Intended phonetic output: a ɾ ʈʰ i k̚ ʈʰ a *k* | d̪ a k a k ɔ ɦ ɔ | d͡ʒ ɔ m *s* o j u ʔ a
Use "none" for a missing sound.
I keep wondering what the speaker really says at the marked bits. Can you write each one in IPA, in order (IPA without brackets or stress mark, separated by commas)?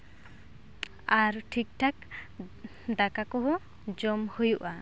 k, h